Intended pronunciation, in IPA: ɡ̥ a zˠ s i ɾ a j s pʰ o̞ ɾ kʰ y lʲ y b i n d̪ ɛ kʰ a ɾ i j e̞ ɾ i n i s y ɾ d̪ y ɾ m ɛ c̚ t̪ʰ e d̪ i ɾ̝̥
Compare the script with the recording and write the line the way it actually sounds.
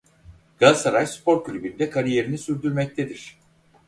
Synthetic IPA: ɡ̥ a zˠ s a ɾ a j s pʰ o̞ ɾ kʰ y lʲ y b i n d̪ ɛ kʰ a ɾ i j e̞ ɾ i n i s y ɾ d̪ y ɾ m ɛ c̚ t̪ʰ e d̪ i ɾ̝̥